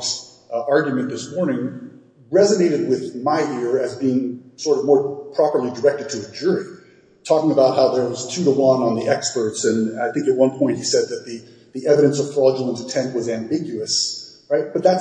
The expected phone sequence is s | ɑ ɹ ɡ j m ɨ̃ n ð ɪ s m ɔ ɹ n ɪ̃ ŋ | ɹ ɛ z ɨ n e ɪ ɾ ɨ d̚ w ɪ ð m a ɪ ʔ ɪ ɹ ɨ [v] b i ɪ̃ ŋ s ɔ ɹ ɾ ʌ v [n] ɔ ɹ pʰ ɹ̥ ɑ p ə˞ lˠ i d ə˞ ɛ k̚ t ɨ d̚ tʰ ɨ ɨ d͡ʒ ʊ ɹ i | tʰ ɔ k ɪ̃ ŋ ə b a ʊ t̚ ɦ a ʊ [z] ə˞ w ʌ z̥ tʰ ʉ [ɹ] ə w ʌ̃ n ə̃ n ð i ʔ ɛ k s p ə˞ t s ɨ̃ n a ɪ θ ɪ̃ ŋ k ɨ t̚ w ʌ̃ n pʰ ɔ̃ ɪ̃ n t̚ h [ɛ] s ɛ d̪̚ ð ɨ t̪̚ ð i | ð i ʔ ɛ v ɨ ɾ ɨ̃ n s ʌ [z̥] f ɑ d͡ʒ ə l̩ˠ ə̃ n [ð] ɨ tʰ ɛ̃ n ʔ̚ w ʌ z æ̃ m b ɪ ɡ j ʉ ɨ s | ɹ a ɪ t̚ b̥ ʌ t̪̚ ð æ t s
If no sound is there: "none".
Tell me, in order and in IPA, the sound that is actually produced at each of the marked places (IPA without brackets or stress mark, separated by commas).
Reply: z, m, ð, ɾ, i, v̥, z